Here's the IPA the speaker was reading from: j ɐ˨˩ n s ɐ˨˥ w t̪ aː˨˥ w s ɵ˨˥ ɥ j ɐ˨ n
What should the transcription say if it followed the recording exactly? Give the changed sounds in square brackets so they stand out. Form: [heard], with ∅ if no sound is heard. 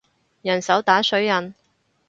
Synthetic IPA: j ɐ˨˩ n s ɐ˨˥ w t̪ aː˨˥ [∅] s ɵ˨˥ ɥ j ɐ˨ n